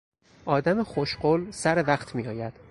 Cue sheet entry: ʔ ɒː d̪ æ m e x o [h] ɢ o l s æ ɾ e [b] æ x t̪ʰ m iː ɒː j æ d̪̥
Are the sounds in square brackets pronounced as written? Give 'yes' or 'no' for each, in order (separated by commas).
no, no